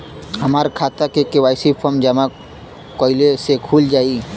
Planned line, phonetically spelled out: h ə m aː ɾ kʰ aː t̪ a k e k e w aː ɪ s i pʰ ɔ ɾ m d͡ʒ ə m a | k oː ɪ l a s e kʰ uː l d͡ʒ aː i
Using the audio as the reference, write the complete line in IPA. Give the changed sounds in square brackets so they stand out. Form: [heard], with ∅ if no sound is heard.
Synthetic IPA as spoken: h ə m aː ɾ kʰ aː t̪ a k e k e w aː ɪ s i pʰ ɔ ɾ m d͡ʒ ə m a | k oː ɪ l [e] s e kʰ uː l d͡ʒ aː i